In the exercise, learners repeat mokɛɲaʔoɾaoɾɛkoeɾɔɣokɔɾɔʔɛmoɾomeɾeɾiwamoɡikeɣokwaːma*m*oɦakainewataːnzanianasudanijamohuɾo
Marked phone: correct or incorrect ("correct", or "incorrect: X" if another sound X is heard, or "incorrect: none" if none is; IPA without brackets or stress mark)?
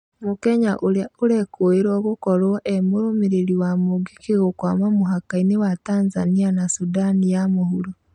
correct